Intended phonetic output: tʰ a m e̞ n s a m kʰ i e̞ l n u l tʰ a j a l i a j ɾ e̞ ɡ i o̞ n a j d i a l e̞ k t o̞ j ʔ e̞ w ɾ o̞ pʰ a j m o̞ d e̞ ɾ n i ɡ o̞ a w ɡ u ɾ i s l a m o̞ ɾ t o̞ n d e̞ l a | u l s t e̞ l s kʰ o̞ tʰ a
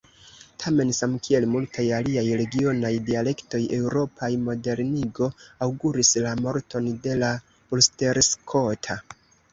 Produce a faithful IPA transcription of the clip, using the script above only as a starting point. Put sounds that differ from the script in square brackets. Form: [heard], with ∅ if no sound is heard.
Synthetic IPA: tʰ a m e̞ n s a m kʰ i e̞ l [m] u l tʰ a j a l i a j ɾ e̞ ɡ i o̞ n a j d i a l e̞ k t o̞ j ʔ e̞ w ɾ o̞ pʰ a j m o̞ d e̞ ɾ n i ɡ o̞ a w ɡ u ɾ i s l a m o̞ ɾ t o̞ n d e̞ l a | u l s t e̞ [ɾ] s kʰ o̞ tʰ a